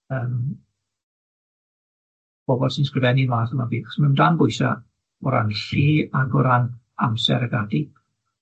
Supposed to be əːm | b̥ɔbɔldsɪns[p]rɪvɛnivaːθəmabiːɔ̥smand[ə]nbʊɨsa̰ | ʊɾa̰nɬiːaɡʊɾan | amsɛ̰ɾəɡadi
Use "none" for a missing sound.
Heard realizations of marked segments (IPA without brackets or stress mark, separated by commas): k, a